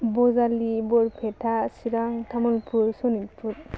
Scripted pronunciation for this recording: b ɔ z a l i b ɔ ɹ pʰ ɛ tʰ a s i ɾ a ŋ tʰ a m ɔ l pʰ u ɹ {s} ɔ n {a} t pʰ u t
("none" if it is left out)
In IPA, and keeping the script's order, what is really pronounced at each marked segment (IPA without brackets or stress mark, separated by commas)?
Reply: s, i